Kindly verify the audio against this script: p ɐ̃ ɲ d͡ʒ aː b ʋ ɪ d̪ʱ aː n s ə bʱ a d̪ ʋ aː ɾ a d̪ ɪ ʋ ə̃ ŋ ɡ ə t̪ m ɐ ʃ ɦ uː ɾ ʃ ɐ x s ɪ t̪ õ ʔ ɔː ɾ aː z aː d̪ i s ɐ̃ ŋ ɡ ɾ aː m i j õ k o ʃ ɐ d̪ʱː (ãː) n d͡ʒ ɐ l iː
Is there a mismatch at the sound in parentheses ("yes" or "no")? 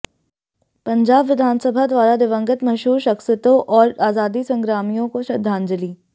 yes